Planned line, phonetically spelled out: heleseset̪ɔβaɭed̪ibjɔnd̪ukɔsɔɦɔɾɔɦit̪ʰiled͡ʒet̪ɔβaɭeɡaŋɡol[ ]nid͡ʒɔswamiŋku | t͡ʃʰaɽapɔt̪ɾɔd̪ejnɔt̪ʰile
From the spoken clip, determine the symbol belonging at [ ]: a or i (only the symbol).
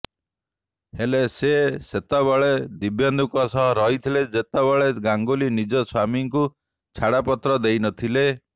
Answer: i